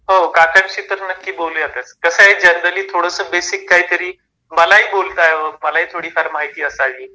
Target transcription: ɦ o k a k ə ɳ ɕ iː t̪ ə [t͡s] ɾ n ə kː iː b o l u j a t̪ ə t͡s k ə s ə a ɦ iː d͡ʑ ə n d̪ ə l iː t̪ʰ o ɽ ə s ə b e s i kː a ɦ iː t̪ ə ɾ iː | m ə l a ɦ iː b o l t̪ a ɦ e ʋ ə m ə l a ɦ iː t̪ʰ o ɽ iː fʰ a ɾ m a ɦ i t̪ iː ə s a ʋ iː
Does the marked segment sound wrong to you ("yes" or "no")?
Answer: yes